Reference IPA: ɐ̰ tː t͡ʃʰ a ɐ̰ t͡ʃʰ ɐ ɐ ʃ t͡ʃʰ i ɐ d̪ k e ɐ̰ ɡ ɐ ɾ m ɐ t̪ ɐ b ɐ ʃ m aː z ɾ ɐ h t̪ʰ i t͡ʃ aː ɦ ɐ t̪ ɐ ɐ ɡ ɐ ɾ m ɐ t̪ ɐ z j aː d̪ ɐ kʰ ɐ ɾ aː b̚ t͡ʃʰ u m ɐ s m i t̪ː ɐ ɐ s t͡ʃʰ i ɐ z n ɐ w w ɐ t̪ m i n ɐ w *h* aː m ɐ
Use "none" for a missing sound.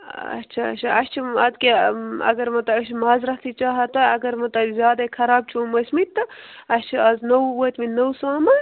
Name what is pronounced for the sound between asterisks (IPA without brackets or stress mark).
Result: s